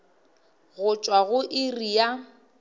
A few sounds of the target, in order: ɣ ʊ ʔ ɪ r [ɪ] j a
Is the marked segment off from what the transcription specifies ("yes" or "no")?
yes